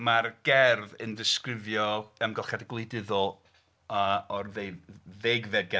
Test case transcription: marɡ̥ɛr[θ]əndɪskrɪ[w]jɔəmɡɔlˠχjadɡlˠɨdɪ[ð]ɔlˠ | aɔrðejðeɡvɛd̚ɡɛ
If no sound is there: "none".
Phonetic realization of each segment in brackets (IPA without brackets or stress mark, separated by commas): ð, v, ð